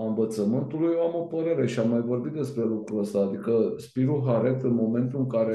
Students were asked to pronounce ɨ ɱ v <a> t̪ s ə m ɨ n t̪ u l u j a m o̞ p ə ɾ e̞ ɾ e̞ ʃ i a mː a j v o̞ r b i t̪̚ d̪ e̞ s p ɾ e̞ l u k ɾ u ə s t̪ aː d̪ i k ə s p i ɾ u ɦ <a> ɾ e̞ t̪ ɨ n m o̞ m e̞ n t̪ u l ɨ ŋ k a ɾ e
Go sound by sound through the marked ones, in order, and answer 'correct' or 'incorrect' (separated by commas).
incorrect, correct